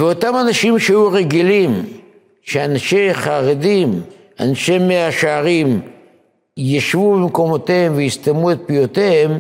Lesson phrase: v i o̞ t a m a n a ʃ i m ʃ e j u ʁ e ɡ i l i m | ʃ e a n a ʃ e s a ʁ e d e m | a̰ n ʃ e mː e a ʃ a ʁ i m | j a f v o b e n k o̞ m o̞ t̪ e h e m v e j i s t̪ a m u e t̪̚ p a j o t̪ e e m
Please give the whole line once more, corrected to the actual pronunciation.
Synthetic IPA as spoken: v e o̞ t a m a n a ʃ i m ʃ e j u ʁ e ɡ i l i m | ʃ e a n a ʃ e χ a ʁ e d i m | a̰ n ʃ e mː e a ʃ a ʁ i m | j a ʃ v u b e m k o̞ m o̞ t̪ e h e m v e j i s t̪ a m u e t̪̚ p i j o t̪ e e m